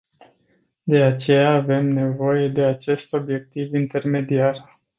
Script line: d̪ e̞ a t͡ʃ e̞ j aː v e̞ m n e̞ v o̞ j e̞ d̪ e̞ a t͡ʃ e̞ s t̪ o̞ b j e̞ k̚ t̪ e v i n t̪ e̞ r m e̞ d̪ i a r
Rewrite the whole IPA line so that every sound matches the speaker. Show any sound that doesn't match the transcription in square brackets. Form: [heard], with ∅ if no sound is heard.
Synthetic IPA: d̪ e̞ a t͡ʃ e̞ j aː v e̞ m n e̞ v o̞ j e̞ d̪ e̞ a t͡ʃ e̞ s t̪ o̞ b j e̞ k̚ t̪ [i] v i n t̪ e̞ r m e̞ d̪ i a r